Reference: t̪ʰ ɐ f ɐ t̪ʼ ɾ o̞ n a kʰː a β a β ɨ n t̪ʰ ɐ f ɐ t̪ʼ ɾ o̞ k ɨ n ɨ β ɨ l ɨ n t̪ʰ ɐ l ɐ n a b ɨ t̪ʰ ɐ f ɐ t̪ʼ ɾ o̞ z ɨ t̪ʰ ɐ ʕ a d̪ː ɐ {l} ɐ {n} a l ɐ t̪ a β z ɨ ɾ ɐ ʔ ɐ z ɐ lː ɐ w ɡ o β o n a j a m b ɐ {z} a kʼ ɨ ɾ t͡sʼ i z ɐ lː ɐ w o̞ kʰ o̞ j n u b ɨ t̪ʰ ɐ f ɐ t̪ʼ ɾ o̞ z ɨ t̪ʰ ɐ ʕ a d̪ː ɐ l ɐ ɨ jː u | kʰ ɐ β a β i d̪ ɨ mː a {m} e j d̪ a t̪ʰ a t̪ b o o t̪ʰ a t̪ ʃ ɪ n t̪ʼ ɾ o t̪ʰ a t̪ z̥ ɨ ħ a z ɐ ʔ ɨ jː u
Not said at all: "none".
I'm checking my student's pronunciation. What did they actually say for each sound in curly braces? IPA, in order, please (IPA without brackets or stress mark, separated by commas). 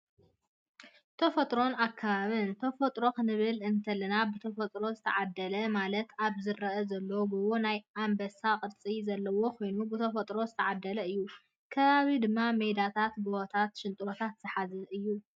l, m, s, m